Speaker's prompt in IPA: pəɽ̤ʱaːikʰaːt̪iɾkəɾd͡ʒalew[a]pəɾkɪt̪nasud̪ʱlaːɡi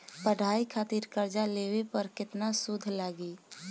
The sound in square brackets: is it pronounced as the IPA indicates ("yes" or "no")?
no